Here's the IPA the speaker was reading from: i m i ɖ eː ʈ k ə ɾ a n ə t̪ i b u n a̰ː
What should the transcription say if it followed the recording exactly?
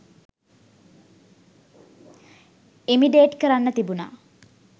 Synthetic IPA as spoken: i m i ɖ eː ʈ k ə ɾ a nː ə t̪ i b u n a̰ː